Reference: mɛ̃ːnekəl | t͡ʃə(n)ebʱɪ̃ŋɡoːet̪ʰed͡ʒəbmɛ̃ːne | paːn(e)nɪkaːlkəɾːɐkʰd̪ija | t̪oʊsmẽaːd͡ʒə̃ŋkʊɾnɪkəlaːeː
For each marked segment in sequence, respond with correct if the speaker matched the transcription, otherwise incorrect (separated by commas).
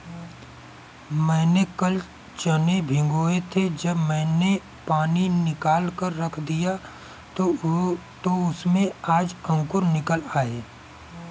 correct, incorrect